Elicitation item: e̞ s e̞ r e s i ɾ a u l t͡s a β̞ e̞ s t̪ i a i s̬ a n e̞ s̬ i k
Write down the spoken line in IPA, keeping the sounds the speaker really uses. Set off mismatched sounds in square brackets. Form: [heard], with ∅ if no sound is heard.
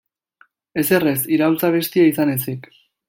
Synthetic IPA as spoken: e̞ s e̞ r e s i ɾ a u l t͡s a β̞ e̞ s t̪ i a i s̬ a n e̞ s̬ i k

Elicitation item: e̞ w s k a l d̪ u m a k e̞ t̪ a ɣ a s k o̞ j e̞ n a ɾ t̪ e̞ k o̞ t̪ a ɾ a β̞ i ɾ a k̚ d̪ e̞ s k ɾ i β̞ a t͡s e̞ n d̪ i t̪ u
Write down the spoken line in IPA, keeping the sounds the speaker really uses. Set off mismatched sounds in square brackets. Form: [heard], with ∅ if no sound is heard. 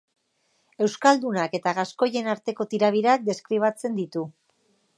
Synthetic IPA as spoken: e̞ w s k a l d̪ u [n] a k e̞ t̪ a ɣ a s k o̞ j e̞ n a ɾ t̪ e̞ k o̞ t̪ [i] ɾ a β̞ i ɾ a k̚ d̪ e̞ s k ɾ i β̞ a t͡s e̞ n d̪ i t̪ u

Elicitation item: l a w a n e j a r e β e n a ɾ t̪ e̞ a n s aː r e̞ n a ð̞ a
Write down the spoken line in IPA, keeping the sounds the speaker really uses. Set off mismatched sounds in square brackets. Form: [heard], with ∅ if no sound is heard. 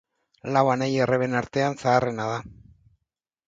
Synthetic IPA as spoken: l a w a n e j [e] r e β e n a ɾ t̪ e̞ a n s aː r e̞ n a ð̞ a

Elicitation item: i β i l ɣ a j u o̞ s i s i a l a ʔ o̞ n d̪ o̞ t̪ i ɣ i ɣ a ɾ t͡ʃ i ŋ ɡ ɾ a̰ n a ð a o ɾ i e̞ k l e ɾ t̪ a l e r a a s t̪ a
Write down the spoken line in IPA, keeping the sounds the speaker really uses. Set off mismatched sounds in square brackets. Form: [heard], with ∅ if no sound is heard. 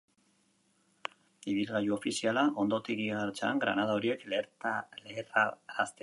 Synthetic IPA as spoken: i β i l ɣ a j u o̞ [f] i s i a l a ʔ o̞ n d̪ o̞ t̪ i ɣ i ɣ a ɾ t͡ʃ [a] ŋ ɡ ɾ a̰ n a ð a o ɾ i e̞ k l e ɾ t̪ a l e r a a s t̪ [e]

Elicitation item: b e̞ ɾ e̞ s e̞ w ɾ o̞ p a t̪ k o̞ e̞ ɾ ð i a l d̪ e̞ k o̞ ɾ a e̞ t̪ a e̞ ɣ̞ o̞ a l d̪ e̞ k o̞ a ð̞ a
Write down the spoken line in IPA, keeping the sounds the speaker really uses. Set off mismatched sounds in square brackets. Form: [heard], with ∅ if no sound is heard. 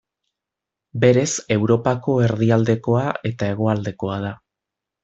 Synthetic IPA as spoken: b e̞ ɾ e̞ s e̞ w ɾ o̞ p a [∅] k o̞ e̞ ɾ ð i a l d̪ e̞ k o̞ [∅] a e̞ t̪ a e̞ ɣ̞ o̞ a l d̪ e̞ k o̞ a ð̞ a

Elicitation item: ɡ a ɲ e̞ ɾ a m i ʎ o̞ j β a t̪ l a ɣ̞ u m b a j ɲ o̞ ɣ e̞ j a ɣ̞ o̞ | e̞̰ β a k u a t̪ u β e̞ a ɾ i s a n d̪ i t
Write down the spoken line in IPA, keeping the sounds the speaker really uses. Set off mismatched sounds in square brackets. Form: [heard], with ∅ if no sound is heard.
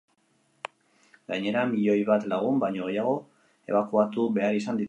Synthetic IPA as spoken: ɡ a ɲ e̞ ɾ a m i ʎ o̞ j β a t̪ l a ɣ̞ u m b a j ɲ o̞ ɣ e̞ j a ɣ̞ o̞ | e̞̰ β a k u a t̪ u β e̞ a ɾ i s a n d̪ i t

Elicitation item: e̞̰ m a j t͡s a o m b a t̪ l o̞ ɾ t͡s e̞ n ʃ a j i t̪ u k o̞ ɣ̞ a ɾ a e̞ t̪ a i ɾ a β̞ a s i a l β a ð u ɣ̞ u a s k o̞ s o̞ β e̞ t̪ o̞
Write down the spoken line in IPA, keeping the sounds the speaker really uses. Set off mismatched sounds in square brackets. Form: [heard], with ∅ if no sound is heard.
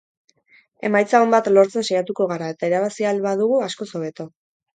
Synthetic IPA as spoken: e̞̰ m a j t͡s a o m b a t̪ l o̞ ɾ t͡s e̞ n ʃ a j [a] t̪ u k o̞ ɣ̞ a ɾ a e̞ t̪ a i ɾ a β̞ a s i a l β a ð u ɣ̞ u a s k o̞ s o̞ β e̞ t̪ o̞

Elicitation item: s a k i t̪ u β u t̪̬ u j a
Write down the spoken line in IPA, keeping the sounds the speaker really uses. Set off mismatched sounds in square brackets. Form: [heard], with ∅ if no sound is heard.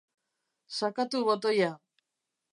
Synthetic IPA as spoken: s a k [a] t̪ u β [o] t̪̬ [o] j a

